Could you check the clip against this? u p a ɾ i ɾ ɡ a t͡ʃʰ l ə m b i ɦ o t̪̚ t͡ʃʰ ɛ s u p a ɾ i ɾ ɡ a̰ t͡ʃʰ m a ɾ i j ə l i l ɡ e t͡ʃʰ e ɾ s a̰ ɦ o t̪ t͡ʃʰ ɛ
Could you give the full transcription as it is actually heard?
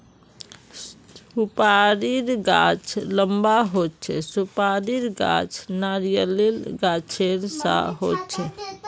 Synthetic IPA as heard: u p a ɾ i ɾ ɡ a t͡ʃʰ l ə m b a ɦ o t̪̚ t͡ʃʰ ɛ s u p a ɾ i ɾ ɡ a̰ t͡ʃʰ n a ɾ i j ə l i l ɡ a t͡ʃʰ e ɾ s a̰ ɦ o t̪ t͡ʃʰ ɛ